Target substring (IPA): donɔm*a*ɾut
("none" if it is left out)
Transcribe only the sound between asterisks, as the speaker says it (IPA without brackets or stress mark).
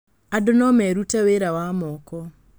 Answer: ɛ